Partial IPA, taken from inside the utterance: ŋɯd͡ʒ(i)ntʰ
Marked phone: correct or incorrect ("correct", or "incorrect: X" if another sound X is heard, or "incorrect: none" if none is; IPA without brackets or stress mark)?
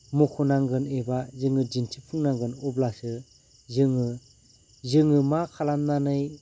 correct